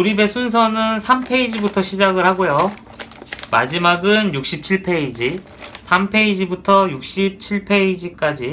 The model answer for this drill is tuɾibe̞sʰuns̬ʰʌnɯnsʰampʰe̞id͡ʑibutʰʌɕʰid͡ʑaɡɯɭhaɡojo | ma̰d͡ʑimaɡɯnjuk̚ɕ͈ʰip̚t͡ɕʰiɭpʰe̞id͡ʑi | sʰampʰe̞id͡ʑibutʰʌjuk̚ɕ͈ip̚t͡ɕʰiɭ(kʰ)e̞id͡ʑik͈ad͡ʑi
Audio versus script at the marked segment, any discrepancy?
yes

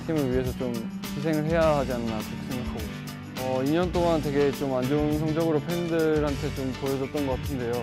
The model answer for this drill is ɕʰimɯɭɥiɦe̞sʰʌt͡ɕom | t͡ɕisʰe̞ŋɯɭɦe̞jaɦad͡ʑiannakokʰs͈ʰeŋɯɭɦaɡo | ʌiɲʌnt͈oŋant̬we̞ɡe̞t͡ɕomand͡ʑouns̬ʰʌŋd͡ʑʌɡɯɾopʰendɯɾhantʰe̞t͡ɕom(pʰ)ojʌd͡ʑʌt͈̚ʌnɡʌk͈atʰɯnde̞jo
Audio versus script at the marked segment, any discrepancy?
yes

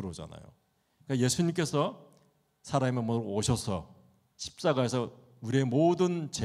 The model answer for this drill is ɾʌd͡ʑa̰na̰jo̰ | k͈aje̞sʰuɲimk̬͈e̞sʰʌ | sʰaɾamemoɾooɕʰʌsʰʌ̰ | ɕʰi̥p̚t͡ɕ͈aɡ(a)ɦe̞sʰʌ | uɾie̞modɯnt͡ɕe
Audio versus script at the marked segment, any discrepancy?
no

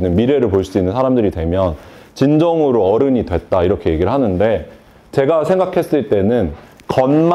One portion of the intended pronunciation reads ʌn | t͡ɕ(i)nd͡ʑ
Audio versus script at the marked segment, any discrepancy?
no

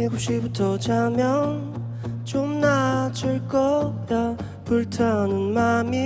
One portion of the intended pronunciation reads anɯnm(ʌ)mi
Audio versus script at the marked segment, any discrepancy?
yes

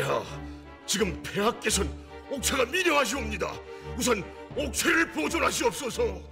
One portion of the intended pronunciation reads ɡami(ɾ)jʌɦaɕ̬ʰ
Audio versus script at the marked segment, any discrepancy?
no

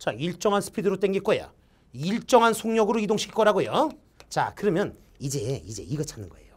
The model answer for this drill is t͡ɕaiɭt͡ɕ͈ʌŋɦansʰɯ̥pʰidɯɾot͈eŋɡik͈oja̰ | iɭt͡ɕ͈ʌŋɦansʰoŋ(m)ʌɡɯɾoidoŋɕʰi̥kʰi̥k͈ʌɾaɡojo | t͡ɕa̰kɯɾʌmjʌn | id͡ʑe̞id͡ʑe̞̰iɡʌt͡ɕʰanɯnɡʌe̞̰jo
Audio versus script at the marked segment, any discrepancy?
yes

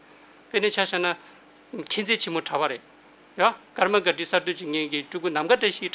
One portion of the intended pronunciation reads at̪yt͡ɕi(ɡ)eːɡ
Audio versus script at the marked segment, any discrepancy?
yes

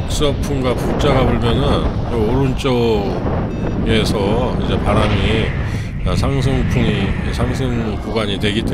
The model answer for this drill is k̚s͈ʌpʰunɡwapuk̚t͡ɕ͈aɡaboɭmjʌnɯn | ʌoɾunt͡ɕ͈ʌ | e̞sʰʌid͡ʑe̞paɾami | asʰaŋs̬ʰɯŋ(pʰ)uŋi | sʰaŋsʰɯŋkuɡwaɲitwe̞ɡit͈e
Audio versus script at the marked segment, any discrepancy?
no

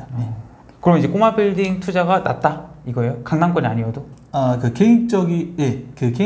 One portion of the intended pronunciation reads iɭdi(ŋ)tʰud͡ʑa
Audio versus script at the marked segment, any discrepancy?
no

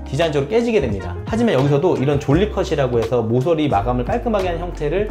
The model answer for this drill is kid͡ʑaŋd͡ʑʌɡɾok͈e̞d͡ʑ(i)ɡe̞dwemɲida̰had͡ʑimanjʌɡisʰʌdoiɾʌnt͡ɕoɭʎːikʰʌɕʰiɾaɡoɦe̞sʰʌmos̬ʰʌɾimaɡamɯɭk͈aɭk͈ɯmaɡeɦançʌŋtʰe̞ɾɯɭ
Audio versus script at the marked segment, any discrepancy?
no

